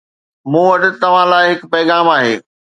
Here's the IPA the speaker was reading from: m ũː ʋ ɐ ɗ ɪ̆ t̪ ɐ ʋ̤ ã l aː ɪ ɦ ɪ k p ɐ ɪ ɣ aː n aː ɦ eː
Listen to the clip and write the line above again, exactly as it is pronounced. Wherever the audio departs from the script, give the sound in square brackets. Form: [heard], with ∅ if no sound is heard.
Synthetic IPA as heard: m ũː ʋ ɐ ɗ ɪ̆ t̪ ɐ ʋ̤ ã l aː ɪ ɦ ɪ k p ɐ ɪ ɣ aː [m] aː ɦ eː